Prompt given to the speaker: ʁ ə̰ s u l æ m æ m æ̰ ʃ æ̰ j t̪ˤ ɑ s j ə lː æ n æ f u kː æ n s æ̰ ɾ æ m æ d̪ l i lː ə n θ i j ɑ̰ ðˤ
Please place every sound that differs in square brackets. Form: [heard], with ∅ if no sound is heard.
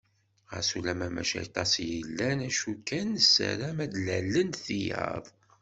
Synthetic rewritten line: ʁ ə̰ s u l æ m æ m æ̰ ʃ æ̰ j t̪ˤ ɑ s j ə lː æ n æ [ʃ] u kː æ n s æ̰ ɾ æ m æ d̪ l [æ] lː ə n θ i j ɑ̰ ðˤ